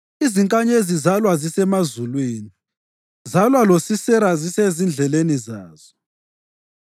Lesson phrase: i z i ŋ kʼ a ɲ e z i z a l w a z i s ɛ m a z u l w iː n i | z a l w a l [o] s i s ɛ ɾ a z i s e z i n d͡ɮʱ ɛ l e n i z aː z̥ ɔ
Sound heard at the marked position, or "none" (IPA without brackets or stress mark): o